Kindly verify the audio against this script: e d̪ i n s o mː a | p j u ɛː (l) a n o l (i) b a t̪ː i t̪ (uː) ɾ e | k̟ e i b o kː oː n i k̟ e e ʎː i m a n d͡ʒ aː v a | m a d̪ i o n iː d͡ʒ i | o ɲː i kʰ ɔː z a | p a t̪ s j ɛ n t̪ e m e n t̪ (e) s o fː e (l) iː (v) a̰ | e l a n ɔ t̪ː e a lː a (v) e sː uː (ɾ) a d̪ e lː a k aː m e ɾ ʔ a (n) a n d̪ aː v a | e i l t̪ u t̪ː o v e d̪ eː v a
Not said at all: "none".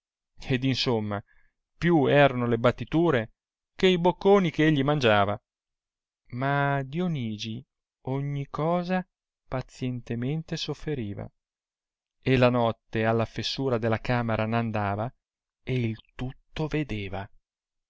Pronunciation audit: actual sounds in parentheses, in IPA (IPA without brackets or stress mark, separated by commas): ɾ, e, uː, e, ɾ, v, f, ɾ, n